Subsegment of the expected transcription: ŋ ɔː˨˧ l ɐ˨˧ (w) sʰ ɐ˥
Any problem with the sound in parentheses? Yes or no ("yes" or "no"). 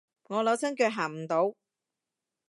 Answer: no